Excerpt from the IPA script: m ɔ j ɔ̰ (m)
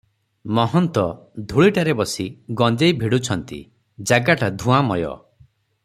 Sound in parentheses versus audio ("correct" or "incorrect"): incorrect